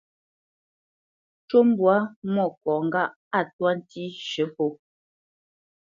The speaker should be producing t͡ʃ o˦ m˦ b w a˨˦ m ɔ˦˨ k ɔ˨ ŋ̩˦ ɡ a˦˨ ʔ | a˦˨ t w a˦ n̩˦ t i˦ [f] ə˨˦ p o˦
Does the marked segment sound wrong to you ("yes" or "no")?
yes